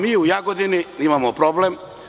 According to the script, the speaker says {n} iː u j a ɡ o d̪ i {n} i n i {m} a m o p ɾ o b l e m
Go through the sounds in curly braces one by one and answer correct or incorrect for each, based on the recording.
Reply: incorrect: m, correct, correct

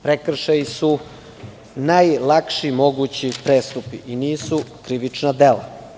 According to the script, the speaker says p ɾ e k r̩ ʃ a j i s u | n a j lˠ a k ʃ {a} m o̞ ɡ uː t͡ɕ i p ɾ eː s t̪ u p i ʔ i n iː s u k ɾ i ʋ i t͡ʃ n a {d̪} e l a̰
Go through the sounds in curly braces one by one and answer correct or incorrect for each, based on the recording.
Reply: incorrect: i, correct

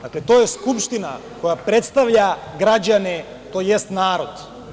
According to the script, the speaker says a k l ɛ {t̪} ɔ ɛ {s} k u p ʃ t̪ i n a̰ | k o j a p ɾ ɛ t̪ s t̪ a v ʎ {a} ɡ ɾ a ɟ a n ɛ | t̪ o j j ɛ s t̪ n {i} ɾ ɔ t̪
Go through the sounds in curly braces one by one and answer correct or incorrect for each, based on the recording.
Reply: correct, correct, correct, incorrect: a

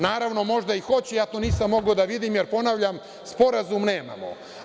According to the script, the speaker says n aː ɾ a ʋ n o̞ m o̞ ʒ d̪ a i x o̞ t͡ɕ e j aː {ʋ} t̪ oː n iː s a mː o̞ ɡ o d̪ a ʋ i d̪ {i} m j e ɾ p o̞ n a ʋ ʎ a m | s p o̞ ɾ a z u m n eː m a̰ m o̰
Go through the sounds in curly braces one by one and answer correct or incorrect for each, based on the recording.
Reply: incorrect: none, correct

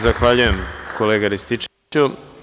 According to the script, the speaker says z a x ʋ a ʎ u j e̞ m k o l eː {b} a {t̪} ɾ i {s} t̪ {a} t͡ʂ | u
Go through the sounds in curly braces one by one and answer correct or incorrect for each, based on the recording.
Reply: incorrect: ɡ, incorrect: none, correct, incorrect: i

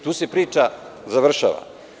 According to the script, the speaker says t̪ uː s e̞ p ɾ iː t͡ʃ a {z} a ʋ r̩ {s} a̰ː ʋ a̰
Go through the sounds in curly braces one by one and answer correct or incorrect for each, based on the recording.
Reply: correct, incorrect: ʃ

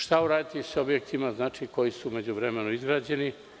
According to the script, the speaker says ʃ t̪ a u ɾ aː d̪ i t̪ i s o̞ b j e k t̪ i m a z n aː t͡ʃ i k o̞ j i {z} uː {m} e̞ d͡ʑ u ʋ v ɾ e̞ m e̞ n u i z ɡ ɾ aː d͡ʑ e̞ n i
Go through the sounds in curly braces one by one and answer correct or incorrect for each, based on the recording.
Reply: incorrect: s, correct

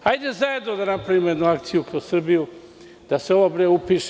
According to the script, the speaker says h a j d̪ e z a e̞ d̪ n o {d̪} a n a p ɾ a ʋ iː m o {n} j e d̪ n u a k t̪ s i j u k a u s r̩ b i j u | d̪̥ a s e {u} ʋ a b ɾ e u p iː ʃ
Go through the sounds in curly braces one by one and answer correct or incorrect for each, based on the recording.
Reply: correct, incorrect: none, incorrect: o

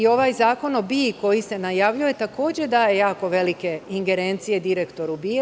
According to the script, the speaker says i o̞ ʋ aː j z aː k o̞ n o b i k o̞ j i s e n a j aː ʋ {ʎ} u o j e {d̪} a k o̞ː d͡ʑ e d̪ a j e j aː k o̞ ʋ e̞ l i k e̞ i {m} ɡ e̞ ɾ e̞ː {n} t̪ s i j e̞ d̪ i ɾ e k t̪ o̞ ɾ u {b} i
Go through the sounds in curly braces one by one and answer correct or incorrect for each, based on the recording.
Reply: correct, incorrect: t̪, incorrect: ŋ, correct, correct

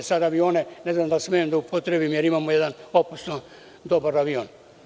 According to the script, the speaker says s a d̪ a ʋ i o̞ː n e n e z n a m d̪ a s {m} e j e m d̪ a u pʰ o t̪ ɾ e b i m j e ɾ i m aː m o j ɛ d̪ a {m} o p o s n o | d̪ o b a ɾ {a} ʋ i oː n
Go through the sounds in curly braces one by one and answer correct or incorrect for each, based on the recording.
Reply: correct, incorrect: n, correct

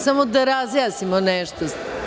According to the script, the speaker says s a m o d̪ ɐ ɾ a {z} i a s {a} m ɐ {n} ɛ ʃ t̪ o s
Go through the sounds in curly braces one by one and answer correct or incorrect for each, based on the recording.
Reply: correct, incorrect: i, correct

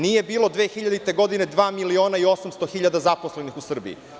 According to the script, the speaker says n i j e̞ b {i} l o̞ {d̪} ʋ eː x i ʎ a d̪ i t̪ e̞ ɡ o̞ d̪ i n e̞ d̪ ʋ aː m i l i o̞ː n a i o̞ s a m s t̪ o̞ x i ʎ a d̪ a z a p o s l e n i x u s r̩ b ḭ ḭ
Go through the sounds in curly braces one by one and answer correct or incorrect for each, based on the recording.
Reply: incorrect: iː, correct

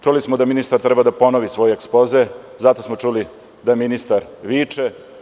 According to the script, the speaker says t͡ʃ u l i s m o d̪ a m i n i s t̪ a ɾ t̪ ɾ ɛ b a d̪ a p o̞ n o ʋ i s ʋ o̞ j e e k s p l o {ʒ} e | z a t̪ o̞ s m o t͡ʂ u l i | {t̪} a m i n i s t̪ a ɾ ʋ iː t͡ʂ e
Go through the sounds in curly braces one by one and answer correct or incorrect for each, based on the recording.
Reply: incorrect: z, incorrect: d̪

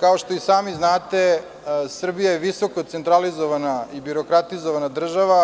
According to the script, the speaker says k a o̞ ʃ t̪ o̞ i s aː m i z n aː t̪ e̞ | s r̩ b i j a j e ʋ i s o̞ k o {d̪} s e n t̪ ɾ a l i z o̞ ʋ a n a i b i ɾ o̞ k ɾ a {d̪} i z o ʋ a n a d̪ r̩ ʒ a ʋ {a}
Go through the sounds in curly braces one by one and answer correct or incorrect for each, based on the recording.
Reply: incorrect: t̪, incorrect: t̪, correct

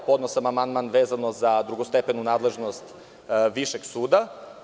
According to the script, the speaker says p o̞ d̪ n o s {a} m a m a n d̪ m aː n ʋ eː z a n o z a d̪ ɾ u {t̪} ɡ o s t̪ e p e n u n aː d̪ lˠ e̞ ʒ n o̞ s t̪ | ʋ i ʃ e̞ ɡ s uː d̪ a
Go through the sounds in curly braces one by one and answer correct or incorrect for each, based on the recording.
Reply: correct, incorrect: none

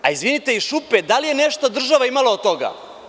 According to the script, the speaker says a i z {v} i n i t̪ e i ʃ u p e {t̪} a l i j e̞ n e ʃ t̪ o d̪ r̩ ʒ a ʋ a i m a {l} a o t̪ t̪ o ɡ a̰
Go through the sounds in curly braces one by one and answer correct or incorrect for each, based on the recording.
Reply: incorrect: ʋ, incorrect: d̪, correct

